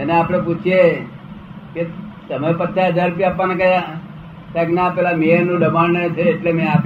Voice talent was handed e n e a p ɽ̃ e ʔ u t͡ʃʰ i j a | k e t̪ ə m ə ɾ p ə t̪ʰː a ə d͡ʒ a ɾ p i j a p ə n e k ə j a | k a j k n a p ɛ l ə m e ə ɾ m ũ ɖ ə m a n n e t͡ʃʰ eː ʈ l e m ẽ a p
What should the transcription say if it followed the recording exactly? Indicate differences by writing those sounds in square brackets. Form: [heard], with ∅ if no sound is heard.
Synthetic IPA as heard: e n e a p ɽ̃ e [p] u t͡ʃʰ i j [e] | k e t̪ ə m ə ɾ p ə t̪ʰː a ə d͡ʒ a ɾ p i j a p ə n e k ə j a | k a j k n a p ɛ l [a] m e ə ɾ [n] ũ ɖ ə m a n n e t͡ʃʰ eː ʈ l e m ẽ a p